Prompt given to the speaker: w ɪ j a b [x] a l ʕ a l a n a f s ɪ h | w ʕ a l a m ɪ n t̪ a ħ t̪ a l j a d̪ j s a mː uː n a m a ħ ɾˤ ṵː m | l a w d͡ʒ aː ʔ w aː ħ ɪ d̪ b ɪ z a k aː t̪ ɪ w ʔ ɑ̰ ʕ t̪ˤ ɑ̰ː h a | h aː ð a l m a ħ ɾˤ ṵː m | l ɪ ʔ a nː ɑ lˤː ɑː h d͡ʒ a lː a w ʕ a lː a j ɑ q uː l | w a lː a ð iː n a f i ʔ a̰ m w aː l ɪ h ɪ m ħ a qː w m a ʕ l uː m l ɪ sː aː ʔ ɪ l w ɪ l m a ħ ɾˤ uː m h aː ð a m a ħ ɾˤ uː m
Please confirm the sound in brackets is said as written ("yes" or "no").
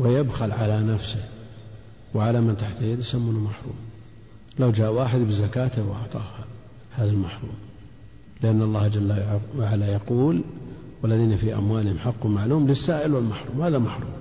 yes